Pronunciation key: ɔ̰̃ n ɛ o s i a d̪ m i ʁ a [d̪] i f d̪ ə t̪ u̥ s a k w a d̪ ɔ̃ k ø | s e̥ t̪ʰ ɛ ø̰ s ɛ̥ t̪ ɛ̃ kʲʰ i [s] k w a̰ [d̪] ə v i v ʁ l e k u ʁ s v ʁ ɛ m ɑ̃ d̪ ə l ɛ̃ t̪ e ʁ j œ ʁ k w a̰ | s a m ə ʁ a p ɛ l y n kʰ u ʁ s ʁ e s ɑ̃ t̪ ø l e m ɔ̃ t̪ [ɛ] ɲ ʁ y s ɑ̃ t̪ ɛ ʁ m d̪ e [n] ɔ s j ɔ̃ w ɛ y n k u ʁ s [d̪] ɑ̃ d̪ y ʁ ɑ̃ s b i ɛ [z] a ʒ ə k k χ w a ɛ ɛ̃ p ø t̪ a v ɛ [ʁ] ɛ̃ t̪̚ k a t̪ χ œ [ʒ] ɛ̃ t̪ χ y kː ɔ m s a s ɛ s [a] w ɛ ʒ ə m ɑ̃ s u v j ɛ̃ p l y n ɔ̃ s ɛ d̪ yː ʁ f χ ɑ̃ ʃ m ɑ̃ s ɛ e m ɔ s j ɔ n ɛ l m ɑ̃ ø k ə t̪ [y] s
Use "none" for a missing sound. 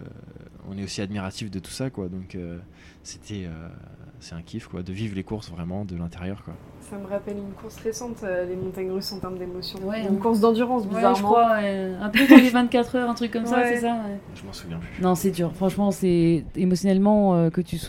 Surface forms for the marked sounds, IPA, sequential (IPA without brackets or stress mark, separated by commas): t̪, f, d̪, a, m, d̪, z, v, ʁ, a, y